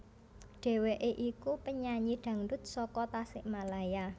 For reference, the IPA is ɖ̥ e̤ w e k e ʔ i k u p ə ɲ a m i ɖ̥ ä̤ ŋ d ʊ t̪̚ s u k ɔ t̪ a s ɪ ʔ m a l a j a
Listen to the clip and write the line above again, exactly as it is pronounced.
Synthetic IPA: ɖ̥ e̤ w e ʔ e ʔ i k u p ə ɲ a ɲ i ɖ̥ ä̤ ŋ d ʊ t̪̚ s ɔ k ɔ t̪ a s ɪ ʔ m a l a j a